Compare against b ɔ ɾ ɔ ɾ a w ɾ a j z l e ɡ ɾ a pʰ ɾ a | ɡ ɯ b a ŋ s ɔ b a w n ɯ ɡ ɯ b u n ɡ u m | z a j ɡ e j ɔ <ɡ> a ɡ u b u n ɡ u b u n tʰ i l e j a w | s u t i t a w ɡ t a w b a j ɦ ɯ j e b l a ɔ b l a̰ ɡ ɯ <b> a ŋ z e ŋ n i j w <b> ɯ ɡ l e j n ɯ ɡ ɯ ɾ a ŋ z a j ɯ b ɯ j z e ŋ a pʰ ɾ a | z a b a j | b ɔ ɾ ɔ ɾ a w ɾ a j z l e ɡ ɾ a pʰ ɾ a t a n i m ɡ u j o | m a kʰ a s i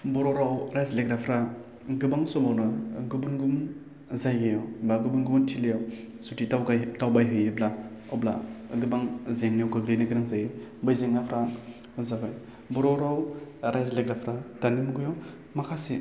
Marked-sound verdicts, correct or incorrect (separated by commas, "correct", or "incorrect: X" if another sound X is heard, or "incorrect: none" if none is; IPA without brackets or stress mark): incorrect: b, correct, incorrect: ɡ